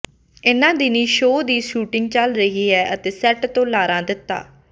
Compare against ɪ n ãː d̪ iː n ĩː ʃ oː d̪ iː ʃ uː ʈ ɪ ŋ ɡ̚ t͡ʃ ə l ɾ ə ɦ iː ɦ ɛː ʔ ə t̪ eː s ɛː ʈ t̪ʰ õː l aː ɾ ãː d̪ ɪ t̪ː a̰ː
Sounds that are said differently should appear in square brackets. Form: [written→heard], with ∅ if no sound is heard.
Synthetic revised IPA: ɪ n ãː d̪ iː n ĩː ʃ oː d̪ iː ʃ uː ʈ ɪ ŋ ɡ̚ t͡ʃ ə l ɾ ə ɦ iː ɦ ɛː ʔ ə t̪ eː s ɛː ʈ [t̪ʰ→t̪] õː l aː ɾ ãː d̪ ɪ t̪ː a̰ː